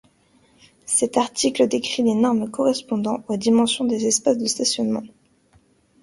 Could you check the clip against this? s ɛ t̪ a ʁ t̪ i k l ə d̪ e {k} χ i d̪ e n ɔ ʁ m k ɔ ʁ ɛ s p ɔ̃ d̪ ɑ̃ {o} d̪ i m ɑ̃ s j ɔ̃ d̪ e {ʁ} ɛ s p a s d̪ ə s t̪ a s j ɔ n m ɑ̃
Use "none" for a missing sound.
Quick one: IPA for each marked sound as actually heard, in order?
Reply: k, o, z

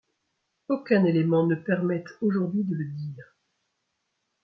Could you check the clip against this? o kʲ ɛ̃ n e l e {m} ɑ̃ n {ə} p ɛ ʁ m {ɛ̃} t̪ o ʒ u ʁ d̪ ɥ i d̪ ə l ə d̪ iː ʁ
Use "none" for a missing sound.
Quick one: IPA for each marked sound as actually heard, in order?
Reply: m, ə, ɛ

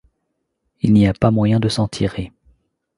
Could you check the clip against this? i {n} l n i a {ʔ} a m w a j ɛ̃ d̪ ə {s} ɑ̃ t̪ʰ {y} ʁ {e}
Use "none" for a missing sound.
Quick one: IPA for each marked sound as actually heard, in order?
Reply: none, p, s, i, e

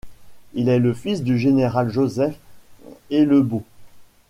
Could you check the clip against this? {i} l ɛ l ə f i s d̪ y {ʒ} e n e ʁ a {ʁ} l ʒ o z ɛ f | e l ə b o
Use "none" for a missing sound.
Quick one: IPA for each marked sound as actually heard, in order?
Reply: i, ʒ, none

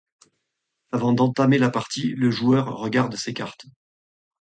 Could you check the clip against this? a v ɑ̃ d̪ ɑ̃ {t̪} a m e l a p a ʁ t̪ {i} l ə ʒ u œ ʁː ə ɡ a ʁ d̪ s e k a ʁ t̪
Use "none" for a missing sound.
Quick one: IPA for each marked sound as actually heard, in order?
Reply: t̪, i

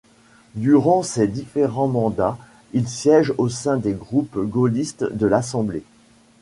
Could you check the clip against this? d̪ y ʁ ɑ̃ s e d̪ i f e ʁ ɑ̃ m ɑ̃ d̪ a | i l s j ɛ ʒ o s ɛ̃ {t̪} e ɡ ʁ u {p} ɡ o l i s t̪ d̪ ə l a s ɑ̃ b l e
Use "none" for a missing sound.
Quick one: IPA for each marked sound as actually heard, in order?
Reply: d̪, p

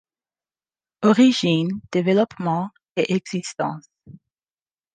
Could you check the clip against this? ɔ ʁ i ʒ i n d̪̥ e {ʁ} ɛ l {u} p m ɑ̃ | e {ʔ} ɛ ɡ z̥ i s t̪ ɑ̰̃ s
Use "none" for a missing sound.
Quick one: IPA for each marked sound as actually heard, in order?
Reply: v, ɔ, ʔ

